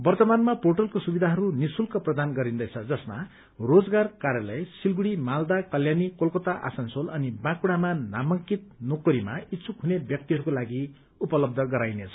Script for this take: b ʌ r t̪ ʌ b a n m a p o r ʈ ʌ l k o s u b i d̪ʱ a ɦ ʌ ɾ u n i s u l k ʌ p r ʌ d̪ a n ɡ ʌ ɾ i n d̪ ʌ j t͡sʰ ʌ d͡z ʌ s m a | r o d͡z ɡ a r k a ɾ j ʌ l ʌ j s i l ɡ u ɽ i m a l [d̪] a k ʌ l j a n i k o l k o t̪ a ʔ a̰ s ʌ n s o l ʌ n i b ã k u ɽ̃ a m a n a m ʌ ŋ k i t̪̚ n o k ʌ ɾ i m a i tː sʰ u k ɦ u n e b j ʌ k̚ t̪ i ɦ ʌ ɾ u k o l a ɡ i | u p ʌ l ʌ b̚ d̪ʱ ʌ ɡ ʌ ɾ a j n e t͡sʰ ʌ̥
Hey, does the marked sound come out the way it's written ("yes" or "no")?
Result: yes